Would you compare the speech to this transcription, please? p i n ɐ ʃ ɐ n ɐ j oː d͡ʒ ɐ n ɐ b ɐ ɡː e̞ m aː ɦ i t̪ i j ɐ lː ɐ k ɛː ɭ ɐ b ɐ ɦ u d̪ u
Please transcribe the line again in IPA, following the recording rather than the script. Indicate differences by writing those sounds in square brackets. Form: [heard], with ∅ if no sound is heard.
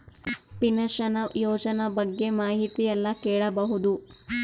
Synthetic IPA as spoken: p i n ɐ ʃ ɐ n ɐ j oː d͡ʒ ɐ n ɐ b ɐ ɡː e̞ m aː ɦ i t̪ i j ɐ lː ɐ k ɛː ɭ ɐ b ɐ ɦ u d̪ u